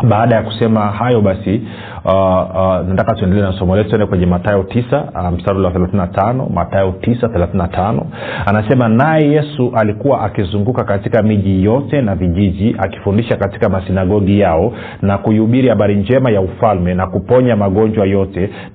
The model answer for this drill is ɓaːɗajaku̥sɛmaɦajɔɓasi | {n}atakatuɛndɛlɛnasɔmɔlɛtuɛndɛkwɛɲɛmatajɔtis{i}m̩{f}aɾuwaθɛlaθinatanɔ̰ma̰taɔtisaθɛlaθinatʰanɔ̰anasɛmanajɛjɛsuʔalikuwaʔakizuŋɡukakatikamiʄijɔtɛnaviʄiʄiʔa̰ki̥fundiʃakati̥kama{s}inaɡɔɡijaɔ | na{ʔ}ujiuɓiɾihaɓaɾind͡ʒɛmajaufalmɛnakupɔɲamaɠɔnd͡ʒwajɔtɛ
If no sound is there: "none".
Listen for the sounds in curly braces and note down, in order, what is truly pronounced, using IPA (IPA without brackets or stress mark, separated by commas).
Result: n, a, s, s, k